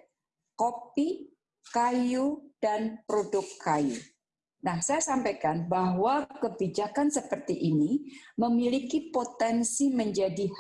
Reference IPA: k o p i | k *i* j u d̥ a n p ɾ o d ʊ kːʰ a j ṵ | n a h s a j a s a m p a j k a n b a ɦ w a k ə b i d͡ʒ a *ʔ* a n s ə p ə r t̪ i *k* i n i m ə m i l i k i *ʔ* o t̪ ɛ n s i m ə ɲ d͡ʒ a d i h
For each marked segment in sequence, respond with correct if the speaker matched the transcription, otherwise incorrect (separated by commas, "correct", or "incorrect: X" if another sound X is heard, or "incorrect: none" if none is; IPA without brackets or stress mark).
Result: incorrect: a, incorrect: k, incorrect: ʔ, incorrect: p